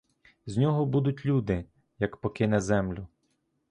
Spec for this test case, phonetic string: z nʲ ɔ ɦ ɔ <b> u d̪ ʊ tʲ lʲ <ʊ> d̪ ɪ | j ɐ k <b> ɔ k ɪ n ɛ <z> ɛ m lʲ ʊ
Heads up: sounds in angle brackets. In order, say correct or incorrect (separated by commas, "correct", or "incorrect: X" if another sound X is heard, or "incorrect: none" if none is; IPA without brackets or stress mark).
correct, incorrect: u, incorrect: p, correct